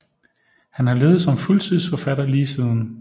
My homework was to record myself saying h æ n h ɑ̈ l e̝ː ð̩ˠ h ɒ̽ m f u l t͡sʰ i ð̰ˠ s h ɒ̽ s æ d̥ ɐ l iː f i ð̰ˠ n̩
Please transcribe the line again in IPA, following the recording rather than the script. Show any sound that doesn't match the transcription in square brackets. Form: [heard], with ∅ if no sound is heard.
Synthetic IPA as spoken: h æ n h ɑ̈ l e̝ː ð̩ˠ [s] ɒ̽ m f u l t͡sʰ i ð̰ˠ s [f] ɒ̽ [f] æ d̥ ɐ l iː [s] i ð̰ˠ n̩